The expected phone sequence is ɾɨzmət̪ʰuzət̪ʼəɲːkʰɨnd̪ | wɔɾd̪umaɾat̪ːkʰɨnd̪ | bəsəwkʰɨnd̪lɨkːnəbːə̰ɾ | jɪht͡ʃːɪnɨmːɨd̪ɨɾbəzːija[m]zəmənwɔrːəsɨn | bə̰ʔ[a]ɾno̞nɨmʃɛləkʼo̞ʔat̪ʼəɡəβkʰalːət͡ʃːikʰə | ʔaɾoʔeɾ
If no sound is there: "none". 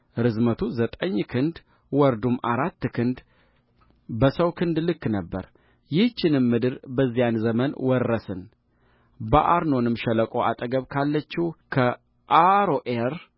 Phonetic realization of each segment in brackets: n, a

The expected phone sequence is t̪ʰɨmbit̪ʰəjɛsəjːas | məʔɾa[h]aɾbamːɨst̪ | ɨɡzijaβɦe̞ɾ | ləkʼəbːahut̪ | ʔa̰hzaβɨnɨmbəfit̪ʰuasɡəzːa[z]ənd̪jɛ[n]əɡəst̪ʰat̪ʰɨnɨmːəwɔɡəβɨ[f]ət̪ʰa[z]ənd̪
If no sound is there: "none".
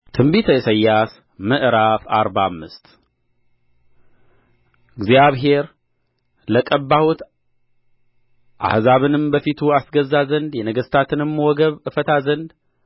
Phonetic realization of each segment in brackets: f, z, n, f, z

